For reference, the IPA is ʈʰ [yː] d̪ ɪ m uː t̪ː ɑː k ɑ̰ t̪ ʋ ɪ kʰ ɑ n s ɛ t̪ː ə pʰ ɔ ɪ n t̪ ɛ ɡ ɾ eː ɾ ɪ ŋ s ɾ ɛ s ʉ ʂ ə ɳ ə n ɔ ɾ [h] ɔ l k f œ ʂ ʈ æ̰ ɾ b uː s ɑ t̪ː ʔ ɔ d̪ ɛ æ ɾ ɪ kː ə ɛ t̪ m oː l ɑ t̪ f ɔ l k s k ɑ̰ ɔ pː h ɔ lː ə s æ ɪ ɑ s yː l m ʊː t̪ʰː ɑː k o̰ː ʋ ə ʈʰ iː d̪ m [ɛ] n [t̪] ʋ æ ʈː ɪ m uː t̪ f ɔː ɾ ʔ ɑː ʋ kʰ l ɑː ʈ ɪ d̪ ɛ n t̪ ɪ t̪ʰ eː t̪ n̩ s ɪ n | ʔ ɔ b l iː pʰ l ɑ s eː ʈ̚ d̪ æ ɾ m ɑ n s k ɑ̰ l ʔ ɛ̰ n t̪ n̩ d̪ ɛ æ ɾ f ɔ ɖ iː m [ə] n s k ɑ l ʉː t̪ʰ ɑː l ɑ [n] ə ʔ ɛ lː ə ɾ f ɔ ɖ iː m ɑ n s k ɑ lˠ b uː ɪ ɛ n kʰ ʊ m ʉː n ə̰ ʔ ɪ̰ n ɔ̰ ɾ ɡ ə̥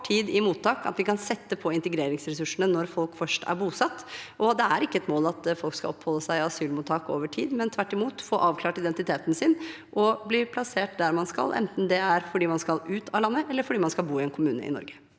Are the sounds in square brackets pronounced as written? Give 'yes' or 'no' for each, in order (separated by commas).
no, no, yes, no, no, no